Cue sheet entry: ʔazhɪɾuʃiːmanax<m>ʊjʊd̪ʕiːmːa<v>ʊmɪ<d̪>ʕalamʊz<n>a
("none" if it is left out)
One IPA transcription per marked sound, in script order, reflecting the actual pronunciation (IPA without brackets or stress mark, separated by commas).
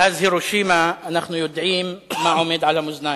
n, ʕ, d̪, n